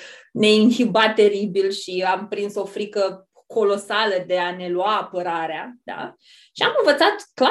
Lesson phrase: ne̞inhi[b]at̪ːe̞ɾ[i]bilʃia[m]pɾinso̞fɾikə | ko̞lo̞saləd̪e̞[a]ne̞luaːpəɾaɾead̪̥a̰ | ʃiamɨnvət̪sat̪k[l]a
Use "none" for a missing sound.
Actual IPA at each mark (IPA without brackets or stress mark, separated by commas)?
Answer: b, i, m, a, l